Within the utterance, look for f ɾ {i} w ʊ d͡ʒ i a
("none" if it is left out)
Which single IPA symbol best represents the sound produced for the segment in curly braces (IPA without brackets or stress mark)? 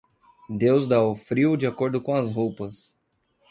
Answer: i